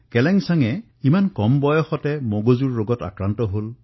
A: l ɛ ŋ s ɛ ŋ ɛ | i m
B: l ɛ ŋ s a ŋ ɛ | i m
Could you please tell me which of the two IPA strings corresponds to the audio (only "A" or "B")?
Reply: B